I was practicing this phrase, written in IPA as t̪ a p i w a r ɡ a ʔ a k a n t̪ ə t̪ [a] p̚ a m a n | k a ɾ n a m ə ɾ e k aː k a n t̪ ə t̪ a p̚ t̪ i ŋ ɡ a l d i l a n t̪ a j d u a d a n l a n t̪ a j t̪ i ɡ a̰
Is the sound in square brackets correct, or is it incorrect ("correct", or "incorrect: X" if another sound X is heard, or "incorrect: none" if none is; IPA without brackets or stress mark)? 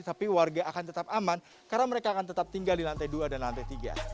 correct